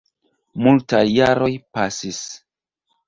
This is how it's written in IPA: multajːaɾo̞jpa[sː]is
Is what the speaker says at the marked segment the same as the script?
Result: no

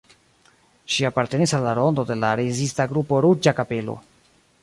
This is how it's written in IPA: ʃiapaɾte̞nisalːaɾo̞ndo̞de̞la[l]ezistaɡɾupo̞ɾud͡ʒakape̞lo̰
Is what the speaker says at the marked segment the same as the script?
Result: no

